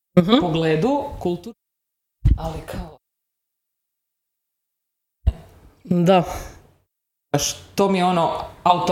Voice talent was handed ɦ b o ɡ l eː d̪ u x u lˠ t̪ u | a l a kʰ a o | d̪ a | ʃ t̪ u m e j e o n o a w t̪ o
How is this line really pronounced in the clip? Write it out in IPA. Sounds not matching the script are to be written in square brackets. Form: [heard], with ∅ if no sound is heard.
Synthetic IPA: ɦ [p] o ɡ l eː d̪ u [k] u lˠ t̪ u | a l [i] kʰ a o | d̪ a | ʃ t̪ [o] m [i] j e o n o a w t̪ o